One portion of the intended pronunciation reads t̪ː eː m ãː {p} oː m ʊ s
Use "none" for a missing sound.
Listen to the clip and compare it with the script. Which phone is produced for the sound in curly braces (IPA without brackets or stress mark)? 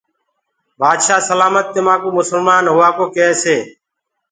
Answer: k